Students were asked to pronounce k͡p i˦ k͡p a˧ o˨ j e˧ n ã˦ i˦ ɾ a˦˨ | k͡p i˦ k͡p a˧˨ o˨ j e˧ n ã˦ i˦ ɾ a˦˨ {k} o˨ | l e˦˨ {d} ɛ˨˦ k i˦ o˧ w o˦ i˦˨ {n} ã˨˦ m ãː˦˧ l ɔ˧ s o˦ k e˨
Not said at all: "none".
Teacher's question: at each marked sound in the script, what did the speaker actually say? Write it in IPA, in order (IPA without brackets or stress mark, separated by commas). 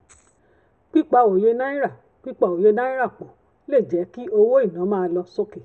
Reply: k͡p, d͡ʒ, n